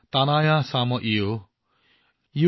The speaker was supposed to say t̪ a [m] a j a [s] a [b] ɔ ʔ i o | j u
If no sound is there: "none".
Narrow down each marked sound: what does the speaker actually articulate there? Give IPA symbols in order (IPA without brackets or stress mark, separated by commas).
n, s, m